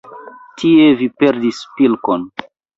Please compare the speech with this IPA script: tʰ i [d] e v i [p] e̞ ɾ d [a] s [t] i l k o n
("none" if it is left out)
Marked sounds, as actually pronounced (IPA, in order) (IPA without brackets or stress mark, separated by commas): none, p, i, p